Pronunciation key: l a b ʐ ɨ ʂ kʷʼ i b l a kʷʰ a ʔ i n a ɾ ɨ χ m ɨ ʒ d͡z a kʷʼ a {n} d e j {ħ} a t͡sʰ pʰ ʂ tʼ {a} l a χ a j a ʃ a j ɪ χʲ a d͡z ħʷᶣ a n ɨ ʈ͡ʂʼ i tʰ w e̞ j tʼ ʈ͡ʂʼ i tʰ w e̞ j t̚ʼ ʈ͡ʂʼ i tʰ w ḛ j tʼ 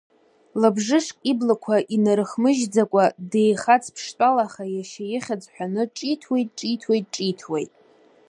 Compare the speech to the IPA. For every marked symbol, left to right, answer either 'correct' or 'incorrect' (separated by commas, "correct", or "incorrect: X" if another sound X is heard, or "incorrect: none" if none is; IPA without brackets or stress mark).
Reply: incorrect: none, incorrect: χ, correct